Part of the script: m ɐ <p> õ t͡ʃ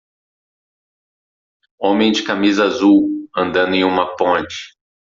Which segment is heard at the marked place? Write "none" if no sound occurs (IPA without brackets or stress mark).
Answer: p